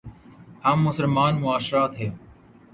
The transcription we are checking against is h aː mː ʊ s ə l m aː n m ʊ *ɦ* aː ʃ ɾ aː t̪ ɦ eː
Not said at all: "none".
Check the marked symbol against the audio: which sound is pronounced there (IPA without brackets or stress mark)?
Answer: none